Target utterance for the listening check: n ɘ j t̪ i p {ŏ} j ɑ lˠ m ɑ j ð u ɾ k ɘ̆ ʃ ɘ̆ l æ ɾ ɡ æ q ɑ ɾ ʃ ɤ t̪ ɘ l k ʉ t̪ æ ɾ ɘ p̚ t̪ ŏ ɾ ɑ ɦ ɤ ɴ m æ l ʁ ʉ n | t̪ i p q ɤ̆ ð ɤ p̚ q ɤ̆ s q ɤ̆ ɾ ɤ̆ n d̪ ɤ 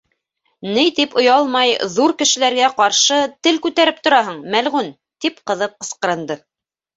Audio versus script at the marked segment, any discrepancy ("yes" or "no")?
no